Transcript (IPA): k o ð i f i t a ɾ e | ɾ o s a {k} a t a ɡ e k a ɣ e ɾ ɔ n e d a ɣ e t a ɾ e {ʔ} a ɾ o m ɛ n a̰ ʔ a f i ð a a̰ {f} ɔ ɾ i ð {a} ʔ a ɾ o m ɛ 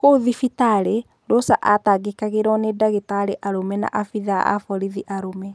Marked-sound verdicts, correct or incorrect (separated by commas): incorrect, correct, correct, incorrect